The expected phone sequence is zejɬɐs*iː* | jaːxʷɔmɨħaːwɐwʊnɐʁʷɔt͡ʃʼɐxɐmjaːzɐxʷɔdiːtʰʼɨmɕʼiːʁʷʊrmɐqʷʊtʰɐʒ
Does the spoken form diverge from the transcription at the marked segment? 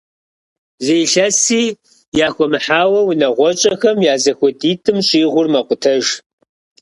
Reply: no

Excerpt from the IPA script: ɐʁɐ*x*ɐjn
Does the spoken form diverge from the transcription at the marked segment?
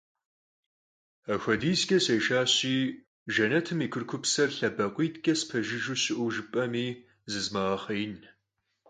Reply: yes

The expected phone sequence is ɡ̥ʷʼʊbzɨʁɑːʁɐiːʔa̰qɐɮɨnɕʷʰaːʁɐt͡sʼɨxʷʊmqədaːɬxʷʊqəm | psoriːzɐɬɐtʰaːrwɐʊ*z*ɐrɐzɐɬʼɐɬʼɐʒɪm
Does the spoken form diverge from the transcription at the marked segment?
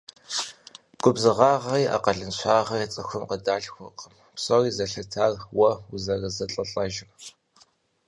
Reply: no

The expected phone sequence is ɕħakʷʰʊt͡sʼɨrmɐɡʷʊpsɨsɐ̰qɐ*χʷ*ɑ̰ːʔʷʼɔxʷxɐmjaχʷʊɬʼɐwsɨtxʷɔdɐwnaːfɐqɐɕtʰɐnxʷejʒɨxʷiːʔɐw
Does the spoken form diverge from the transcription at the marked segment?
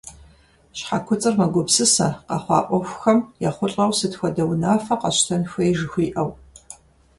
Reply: no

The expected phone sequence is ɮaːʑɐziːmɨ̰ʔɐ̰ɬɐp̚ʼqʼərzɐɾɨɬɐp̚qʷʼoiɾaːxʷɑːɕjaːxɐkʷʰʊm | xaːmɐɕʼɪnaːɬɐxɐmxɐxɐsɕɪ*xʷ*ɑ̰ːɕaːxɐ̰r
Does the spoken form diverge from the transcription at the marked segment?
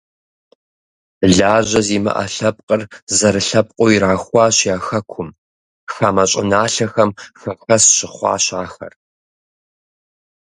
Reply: yes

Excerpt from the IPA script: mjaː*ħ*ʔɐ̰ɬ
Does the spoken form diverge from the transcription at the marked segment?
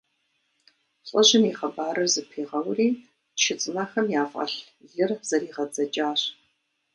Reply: yes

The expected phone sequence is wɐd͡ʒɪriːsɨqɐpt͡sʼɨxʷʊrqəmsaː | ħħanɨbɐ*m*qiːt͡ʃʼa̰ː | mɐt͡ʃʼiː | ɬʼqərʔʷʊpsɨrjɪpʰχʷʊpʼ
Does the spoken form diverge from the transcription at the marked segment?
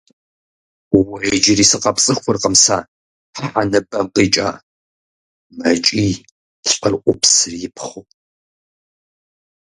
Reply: no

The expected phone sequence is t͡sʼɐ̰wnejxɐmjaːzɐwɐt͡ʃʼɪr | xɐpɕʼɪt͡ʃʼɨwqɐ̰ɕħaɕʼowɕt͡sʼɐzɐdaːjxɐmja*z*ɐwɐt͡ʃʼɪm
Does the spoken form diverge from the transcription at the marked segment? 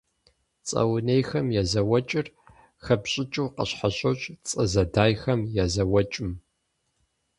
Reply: no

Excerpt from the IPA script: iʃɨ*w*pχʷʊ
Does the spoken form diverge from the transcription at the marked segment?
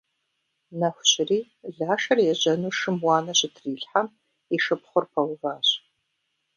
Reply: yes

